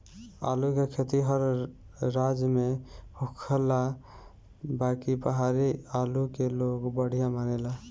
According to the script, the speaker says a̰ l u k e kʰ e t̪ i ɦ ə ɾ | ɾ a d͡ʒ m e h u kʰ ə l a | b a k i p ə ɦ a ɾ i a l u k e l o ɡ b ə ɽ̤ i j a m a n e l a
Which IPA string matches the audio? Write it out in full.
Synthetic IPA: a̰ l u k e kʰ e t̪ i ɦ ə ɾ | ɾ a d͡ʒ m e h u kʰ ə l a | b a k i p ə ɦ a ɾ i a l u k e l o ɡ b ə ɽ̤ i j a m a n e l a